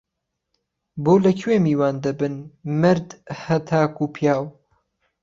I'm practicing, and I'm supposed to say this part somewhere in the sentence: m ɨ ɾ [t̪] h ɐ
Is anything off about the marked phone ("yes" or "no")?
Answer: yes